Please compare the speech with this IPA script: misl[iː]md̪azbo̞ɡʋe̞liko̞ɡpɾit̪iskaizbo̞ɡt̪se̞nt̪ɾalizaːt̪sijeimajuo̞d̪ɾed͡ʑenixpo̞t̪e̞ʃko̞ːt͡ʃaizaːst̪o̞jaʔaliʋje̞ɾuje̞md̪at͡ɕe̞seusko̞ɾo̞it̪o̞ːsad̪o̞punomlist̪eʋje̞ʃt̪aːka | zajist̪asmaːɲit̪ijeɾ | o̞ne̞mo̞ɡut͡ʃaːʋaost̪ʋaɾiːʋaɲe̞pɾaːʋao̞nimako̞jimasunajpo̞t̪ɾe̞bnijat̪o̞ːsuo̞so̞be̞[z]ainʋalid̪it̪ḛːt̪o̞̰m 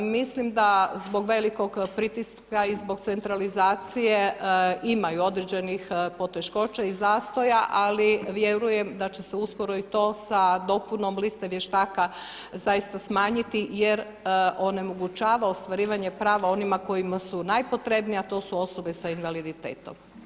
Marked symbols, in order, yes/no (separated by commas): no, no